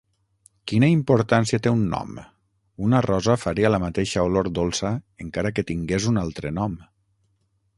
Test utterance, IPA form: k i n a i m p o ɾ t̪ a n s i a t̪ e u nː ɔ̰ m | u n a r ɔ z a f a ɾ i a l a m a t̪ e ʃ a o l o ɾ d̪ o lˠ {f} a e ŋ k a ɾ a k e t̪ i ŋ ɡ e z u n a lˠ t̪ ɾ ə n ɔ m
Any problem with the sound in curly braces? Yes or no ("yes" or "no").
yes